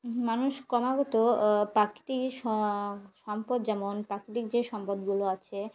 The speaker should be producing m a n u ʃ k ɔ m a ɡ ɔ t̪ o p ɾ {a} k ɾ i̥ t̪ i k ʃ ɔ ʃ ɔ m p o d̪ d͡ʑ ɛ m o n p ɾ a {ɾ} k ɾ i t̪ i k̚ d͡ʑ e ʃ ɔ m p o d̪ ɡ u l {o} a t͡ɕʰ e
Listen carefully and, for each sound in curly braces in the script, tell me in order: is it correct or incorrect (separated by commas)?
correct, incorrect, correct